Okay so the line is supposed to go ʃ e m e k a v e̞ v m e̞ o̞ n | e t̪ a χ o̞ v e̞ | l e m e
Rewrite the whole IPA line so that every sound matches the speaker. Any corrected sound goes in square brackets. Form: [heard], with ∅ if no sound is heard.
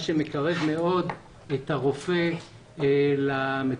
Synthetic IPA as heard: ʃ e m e k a [ʁ] e̞ v m e̞ o̞ [d] | e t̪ a [ʁ] o̞ [f] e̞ | l [a] m e